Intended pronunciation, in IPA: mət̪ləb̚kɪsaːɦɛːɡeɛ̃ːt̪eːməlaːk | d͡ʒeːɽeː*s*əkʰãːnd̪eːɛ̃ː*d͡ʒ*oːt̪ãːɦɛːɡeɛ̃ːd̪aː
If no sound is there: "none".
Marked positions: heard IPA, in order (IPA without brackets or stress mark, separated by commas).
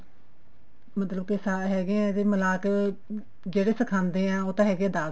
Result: s, none